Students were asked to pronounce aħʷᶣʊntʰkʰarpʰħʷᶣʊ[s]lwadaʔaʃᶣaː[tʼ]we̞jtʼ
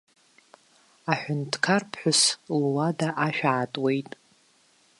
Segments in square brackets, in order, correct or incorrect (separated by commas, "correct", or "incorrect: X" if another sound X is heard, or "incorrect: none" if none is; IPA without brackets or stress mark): correct, correct